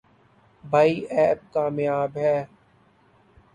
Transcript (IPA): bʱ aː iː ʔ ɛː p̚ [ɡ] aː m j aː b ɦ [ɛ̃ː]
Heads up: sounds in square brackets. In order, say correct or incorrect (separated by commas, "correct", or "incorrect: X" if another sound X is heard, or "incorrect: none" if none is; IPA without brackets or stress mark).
incorrect: k, incorrect: ɛː